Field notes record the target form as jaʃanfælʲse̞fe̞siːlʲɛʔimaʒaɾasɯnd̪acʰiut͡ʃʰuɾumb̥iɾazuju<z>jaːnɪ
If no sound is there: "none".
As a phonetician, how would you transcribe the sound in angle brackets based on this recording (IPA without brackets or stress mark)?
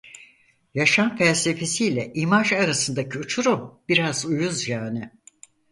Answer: z